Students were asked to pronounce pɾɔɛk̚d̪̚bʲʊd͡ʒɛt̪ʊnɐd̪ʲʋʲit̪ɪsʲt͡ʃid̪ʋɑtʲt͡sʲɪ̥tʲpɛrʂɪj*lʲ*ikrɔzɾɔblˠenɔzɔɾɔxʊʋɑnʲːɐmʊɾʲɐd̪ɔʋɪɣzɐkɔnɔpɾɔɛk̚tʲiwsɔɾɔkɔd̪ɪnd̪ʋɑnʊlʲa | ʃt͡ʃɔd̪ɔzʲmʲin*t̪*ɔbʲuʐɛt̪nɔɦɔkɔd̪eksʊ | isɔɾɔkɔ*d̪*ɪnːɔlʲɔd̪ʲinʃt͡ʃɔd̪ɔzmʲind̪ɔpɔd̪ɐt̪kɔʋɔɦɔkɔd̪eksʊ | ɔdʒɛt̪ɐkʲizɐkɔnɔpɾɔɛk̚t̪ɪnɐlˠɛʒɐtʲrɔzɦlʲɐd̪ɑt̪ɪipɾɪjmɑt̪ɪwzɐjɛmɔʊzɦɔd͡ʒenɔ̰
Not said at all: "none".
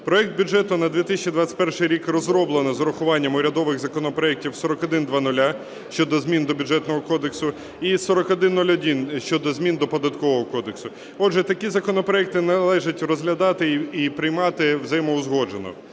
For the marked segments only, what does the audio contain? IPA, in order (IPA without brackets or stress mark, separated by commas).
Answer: ɾʲ, d̪, d̪